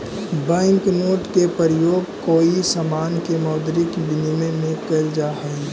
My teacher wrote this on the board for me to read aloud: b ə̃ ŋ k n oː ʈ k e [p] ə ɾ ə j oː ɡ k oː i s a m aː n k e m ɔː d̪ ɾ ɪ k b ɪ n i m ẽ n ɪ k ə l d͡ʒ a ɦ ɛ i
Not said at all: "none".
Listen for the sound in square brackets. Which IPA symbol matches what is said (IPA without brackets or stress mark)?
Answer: p